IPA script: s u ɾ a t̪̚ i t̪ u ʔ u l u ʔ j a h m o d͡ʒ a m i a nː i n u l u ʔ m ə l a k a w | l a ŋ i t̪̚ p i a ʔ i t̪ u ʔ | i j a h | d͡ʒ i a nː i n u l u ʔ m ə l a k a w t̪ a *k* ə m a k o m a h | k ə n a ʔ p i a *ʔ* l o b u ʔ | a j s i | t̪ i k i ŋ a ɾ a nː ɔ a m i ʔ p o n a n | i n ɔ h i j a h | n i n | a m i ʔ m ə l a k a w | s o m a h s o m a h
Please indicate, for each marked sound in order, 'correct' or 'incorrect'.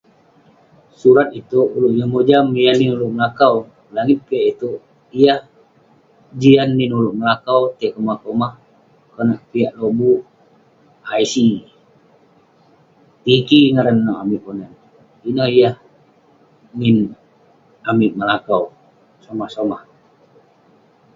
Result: correct, correct

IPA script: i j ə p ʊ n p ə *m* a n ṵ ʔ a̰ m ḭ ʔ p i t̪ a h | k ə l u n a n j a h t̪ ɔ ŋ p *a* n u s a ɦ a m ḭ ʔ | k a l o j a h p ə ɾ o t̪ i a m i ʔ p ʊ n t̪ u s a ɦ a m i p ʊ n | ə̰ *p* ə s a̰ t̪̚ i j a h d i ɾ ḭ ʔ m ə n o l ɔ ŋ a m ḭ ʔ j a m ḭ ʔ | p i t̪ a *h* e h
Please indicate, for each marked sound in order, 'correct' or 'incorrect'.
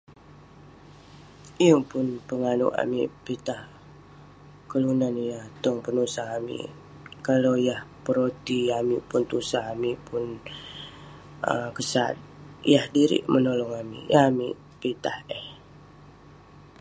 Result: incorrect: ŋ, incorrect: ə, incorrect: k, correct

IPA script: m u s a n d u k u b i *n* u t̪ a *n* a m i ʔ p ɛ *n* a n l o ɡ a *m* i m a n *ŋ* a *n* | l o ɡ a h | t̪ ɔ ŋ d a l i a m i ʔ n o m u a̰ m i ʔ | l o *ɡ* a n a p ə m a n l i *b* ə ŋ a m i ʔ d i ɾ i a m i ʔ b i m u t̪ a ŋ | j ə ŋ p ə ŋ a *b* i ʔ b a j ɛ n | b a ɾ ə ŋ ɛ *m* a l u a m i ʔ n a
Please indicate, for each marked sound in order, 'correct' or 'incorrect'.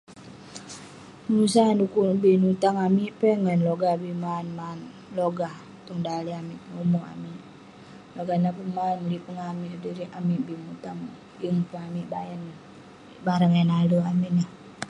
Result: correct, incorrect: ŋ, incorrect: ŋ, incorrect: b, incorrect: m, correct, correct, incorrect: p, incorrect: m, incorrect: n

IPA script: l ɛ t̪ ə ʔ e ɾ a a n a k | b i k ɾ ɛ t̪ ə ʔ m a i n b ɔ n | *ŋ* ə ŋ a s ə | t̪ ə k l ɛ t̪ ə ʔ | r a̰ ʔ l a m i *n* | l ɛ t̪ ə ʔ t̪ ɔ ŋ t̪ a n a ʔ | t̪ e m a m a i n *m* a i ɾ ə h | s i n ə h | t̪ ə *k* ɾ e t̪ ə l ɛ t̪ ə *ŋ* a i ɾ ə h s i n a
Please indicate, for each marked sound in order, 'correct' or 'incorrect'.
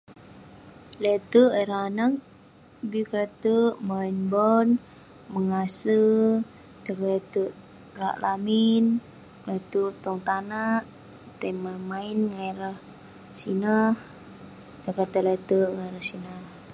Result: incorrect: m, correct, incorrect: ŋ, correct, correct

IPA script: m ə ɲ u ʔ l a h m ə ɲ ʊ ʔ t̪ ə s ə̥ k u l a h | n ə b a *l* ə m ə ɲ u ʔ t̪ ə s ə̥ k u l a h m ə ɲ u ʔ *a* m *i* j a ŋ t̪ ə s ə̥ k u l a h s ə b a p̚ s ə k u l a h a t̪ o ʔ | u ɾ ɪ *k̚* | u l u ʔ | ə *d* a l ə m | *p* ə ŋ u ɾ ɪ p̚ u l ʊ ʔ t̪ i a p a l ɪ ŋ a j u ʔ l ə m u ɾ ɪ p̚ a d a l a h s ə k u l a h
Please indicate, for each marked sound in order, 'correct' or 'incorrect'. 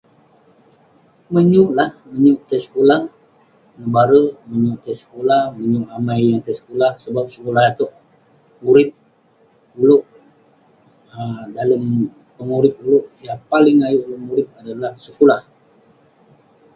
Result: incorrect: ɾ, correct, incorrect: a, incorrect: p̚, correct, correct

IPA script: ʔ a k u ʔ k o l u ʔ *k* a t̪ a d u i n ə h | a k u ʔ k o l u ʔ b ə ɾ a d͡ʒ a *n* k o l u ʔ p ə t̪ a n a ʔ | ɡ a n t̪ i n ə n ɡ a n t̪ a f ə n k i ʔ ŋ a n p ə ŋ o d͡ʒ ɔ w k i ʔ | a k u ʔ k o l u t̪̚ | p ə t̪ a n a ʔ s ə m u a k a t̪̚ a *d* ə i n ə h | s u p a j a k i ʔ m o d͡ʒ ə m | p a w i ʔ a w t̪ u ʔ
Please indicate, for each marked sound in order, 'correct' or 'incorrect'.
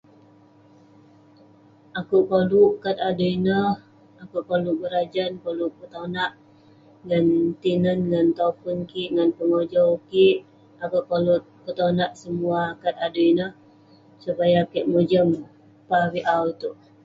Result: correct, correct, correct

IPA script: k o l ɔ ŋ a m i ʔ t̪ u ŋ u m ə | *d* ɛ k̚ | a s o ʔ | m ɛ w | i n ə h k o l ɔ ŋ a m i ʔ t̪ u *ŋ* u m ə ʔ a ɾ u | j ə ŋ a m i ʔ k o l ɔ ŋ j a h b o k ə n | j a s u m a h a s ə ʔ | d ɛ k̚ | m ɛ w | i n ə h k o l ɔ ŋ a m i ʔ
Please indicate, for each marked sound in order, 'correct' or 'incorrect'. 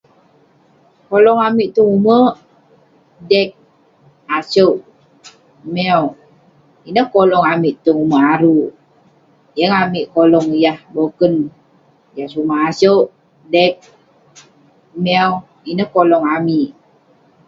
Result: correct, correct

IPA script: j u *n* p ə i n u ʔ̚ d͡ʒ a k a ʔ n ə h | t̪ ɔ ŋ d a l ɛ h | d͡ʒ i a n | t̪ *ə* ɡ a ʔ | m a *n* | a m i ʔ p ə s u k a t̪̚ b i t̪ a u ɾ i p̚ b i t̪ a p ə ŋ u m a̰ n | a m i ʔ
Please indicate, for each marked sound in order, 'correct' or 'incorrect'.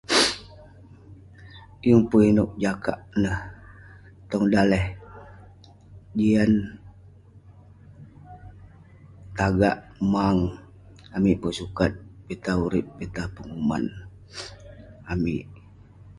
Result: incorrect: ŋ, incorrect: a, incorrect: ŋ

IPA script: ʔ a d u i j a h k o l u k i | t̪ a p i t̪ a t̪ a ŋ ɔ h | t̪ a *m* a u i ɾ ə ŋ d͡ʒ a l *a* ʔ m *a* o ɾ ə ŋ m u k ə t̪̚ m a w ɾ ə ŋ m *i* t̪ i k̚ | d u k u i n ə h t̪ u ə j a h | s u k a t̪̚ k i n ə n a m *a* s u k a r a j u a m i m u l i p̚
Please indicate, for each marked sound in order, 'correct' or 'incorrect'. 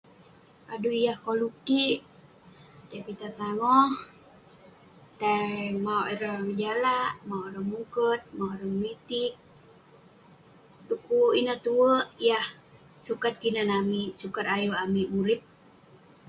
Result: correct, correct, correct, correct, incorrect: i

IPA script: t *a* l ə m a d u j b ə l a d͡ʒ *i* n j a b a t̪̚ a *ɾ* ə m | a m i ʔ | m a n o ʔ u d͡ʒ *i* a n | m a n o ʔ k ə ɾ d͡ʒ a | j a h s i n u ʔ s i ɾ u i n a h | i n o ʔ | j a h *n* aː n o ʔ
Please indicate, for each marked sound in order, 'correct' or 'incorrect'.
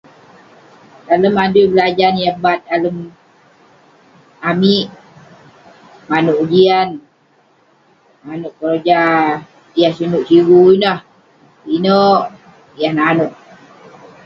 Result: correct, incorrect: a, incorrect: l, correct, correct

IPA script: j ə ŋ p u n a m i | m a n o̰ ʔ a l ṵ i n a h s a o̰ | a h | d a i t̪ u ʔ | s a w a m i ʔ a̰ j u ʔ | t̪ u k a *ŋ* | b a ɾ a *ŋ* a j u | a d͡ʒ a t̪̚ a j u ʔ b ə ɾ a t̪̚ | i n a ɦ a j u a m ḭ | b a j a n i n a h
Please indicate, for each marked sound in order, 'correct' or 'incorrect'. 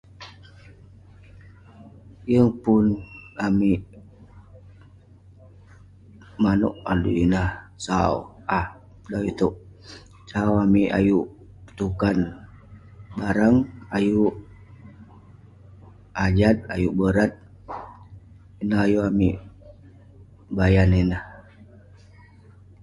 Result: incorrect: n, correct

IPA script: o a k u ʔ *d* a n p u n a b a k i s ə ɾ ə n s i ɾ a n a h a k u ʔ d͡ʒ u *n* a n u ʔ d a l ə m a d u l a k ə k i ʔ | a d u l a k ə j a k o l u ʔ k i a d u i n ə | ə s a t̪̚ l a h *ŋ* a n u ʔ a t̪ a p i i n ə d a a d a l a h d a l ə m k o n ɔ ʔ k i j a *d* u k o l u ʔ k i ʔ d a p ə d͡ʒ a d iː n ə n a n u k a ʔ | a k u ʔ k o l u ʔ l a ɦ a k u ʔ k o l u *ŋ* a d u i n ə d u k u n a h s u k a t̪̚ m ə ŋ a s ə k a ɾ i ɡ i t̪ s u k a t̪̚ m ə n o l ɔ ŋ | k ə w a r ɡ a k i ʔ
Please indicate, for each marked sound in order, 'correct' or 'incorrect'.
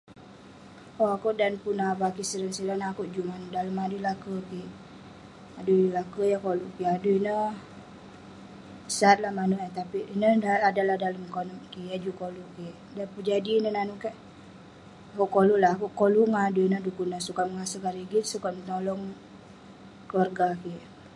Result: correct, incorrect: m, incorrect: m, incorrect: d͡ʒ, correct

